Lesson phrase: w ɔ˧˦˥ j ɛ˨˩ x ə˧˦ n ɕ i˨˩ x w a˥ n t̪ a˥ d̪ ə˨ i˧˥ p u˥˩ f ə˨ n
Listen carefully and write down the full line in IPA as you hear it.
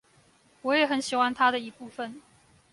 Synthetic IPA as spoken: w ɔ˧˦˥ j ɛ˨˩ x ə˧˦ n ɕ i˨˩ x w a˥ n t̪ʰ a˥ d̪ ə˨ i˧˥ p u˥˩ f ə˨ n